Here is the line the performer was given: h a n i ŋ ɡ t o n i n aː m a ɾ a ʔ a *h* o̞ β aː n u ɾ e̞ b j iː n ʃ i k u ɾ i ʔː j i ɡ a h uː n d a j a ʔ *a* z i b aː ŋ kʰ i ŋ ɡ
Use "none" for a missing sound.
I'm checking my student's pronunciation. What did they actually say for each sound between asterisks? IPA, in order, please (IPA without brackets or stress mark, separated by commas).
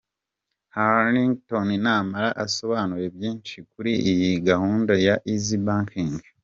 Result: s, i